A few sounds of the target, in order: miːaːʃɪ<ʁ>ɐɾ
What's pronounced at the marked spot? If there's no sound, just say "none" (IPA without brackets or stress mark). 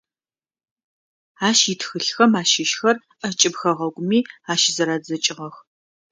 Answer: z